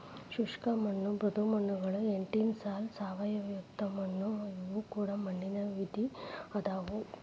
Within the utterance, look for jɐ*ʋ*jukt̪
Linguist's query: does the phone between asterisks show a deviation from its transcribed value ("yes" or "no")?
no